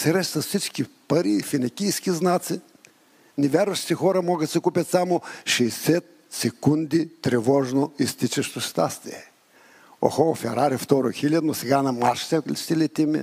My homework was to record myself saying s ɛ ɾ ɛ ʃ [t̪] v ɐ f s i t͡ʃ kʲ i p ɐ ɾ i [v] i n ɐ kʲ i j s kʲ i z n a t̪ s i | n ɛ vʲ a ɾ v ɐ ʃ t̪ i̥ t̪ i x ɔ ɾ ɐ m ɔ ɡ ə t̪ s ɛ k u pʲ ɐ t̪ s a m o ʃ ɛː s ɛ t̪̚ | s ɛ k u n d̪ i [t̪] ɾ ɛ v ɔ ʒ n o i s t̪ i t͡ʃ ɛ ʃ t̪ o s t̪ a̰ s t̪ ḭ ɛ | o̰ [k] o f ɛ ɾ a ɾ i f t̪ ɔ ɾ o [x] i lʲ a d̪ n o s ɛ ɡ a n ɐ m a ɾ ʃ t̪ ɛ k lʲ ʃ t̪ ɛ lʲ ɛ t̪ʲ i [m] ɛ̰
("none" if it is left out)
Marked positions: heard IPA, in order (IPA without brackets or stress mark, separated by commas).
t̪, f, t̪, x, x, m